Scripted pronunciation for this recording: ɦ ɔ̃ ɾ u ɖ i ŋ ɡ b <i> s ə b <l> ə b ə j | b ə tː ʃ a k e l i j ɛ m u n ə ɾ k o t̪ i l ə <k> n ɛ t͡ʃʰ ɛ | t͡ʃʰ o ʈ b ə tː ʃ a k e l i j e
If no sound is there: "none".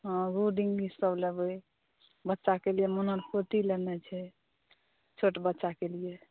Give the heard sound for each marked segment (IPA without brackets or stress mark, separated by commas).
i, l, none